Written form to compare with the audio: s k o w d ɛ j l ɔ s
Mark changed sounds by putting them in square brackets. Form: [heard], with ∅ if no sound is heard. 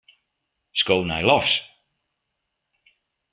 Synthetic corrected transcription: s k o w [n] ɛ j l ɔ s